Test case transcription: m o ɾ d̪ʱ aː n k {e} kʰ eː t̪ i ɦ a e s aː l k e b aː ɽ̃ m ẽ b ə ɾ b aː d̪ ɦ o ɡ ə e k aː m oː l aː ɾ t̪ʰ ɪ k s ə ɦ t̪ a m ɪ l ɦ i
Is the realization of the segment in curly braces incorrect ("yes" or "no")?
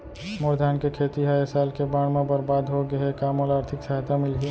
no